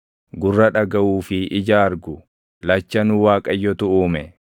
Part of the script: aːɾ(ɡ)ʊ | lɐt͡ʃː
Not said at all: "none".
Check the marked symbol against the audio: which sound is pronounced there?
ɡ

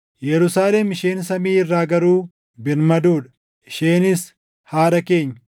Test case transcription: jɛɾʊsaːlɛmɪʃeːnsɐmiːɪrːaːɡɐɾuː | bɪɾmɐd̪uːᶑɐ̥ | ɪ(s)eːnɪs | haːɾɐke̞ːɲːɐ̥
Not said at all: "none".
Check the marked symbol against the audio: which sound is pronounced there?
ʃ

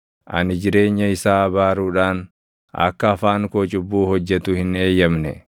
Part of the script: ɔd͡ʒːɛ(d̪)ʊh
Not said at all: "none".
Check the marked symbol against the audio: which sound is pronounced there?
t̪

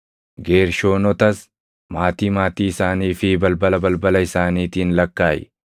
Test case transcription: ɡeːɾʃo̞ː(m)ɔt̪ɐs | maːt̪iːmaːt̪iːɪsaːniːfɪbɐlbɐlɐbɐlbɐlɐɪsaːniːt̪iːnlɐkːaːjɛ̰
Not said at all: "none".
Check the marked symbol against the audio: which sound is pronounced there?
n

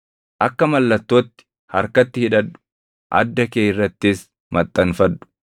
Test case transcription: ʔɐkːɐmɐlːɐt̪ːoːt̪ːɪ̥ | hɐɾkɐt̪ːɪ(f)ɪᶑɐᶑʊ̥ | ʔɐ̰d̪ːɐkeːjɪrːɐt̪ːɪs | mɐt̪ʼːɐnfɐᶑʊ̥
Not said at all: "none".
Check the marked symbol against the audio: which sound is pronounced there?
h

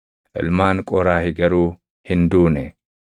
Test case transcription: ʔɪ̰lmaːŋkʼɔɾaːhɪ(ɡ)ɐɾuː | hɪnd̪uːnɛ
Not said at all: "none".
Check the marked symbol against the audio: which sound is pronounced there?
ɡ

